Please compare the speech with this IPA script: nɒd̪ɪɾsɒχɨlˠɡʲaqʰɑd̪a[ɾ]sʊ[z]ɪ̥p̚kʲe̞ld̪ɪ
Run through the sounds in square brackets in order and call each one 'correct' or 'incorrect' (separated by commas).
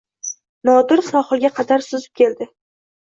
correct, correct